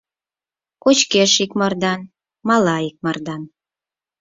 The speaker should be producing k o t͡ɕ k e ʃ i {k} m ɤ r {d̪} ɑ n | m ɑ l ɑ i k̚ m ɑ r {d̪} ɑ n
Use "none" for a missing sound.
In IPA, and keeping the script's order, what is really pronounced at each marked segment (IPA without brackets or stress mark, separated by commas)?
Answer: k, d̪, d̪